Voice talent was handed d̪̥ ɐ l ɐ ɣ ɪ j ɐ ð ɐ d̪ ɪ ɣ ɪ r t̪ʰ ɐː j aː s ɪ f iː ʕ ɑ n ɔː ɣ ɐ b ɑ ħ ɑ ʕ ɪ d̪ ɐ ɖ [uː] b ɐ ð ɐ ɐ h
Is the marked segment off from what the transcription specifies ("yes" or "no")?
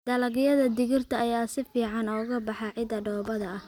yes